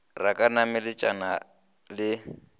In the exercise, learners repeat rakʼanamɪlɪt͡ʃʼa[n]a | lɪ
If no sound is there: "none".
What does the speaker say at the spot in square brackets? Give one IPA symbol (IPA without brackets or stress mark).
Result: n